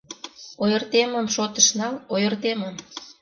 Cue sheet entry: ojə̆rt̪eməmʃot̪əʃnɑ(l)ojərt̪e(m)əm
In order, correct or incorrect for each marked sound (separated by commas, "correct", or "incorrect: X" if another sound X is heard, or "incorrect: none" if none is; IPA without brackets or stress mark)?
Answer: correct, correct